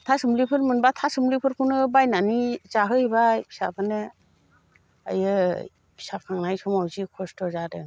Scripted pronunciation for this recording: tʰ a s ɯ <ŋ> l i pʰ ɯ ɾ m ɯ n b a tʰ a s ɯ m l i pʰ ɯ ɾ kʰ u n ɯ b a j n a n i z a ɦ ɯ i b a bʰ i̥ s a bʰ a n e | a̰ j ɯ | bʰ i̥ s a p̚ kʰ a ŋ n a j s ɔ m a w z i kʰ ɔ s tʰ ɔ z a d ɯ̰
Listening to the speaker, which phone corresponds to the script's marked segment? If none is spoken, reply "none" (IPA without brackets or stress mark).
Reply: m